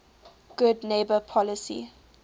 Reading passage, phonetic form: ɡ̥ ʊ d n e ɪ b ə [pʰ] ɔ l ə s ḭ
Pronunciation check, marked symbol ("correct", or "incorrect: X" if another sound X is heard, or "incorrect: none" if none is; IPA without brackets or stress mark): correct